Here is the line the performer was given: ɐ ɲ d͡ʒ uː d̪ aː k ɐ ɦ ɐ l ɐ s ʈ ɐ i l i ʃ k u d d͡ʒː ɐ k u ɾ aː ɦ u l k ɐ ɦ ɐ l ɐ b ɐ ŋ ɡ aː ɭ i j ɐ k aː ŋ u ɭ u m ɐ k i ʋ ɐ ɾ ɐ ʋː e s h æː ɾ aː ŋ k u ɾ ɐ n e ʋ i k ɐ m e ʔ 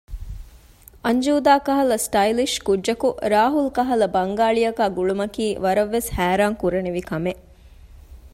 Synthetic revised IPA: ɐ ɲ d͡ʒ uː d̪ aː k ɐ ɦ ɐ l ɐ s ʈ ɐ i l i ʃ k u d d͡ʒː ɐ k u ɾ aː ɦ u l k ɐ ɦ ɐ l ɐ b ɐ ŋ ɡ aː ɭ i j ɐ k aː ɡ u ɭ u m ɐ k iː ʋ ɐ ɾ ɐ ʋː e s h æː ɾ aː ŋ k u ɾ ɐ n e ʋ i k ɐ m e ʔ